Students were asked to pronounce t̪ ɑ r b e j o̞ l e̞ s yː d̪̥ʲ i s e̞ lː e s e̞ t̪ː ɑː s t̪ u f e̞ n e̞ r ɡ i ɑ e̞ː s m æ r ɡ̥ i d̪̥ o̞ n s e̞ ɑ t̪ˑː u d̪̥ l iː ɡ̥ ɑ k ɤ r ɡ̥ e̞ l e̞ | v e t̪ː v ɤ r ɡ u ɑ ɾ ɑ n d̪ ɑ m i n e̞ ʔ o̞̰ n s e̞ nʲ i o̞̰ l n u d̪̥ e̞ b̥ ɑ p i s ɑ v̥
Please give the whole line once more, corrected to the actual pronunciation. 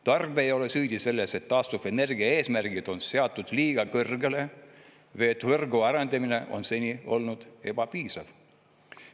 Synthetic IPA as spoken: t̪ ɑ r b e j o̞ l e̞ s yː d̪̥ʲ i s e̞ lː e s e̞ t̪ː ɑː s t̪ u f e̞ n e̞ r ɡ i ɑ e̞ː s m æ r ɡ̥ i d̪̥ o̞ n s e̞ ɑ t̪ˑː u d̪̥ l iː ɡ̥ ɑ k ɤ r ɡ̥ e̞ l e̞ | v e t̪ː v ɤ r ɡ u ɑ ɾ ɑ n d̪ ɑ m i n e̞ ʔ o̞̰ n s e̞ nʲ i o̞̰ l n u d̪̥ e̞ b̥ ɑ p iː s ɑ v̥